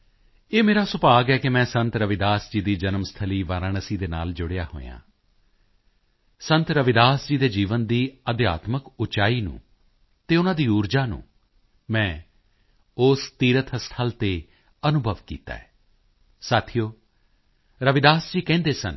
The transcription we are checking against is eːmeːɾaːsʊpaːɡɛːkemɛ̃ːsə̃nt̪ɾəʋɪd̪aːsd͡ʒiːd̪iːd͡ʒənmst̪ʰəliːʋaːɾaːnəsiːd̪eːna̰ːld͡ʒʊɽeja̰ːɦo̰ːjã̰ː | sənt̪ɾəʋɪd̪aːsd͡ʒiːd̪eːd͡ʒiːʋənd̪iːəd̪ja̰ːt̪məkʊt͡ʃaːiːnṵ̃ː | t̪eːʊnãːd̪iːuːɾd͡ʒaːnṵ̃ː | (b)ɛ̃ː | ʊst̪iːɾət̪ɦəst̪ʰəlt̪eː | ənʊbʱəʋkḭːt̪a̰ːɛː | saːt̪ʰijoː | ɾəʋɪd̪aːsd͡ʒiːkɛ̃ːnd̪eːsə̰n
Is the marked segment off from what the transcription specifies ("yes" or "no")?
yes